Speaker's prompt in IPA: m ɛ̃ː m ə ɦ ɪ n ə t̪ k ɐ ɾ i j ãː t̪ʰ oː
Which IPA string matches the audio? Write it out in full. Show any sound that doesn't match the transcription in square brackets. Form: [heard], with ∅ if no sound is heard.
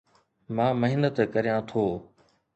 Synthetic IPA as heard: m [ãː] m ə ɦ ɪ n ə t̪ k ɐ ɾ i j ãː t̪ʰ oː